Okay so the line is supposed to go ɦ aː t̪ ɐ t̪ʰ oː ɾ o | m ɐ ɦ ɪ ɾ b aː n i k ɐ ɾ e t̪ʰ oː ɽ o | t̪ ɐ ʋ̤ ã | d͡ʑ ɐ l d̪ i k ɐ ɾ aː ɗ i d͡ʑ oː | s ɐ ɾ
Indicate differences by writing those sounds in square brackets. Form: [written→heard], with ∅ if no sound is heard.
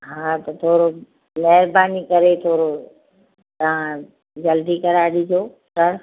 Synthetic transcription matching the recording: ɦ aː t̪ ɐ t̪ʰ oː ɾ o | m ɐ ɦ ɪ ɾ b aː n i k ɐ ɾ e t̪ʰ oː [ɽ→ɾ] o | t̪ ɐ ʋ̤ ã | d͡ʑ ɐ l d̪ i k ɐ ɾ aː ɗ i d͡ʑ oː | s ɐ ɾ